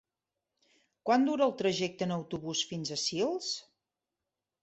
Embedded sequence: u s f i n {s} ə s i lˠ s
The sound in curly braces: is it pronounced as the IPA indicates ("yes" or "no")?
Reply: no